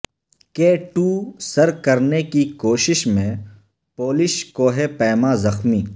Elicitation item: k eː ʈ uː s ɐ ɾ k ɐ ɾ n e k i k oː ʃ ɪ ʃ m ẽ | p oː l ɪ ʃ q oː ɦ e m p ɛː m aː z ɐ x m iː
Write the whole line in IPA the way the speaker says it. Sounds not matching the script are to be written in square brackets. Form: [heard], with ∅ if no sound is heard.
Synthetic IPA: k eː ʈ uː s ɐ ɾ k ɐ ɾ n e k i k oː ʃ ɪ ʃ m ẽ | p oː l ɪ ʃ [k] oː ɦ e [∅] p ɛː m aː z ɐ x m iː